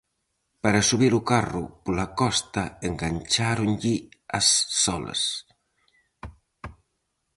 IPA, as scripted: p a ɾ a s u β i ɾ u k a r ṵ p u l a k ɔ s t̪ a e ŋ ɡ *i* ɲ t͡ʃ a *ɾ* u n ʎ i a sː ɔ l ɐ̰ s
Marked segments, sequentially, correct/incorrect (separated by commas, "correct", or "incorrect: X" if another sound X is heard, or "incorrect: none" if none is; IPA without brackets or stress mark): incorrect: a, correct